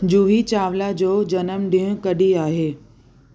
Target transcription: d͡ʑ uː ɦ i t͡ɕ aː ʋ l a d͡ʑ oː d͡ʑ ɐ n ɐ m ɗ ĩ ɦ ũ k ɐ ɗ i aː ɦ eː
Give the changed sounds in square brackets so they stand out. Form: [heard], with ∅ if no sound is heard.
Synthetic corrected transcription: d͡ʑ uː ɦ i t͡ɕ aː ʋ l a d͡ʑ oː d͡ʑ ɐ n [ə] m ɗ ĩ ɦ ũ k ɐ ɗ i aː ɦ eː